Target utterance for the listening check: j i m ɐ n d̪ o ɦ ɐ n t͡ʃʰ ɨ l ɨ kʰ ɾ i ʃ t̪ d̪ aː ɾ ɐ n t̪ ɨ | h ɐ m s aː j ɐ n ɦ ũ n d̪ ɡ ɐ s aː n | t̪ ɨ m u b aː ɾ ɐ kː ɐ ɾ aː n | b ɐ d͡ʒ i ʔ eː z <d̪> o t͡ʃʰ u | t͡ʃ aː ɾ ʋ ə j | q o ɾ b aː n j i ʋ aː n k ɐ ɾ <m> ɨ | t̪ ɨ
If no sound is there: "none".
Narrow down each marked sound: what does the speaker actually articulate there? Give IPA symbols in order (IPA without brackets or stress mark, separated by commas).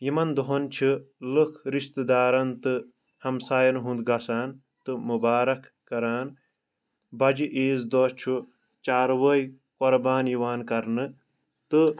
d̪, n